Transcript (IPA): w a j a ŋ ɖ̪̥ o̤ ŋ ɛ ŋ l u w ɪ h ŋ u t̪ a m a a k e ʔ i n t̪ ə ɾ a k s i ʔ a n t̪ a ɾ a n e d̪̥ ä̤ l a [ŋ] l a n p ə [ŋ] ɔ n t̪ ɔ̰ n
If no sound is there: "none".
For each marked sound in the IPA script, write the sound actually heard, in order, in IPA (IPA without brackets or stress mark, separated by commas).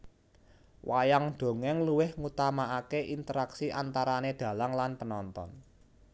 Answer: ŋ, n